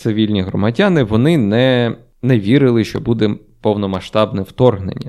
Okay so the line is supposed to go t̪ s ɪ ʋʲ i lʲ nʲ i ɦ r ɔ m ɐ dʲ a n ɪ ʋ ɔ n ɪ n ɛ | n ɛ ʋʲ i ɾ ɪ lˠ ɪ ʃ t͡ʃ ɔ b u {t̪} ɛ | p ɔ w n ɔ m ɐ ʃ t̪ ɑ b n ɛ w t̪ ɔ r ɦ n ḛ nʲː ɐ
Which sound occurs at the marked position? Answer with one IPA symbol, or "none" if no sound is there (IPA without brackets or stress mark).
d̪